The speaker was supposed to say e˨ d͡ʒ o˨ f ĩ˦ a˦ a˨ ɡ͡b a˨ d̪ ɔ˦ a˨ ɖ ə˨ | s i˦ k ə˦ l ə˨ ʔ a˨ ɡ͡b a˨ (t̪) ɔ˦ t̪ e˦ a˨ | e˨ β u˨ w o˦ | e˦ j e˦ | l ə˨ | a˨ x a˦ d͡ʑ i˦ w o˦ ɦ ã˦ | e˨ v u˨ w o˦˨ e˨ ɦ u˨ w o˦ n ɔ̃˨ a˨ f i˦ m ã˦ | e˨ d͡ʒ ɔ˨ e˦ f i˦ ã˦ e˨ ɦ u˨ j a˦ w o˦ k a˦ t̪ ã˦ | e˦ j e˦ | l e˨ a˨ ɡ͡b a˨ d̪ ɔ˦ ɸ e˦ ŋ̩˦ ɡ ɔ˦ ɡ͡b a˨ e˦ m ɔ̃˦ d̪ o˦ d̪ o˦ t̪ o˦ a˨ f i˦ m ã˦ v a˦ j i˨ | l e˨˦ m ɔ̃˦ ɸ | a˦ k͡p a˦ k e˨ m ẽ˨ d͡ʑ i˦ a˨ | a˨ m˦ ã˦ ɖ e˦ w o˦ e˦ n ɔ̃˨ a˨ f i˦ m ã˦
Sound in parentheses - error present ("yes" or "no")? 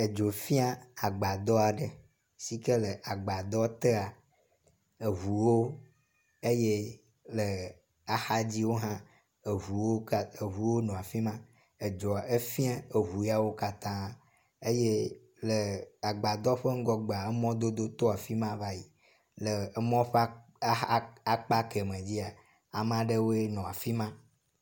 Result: yes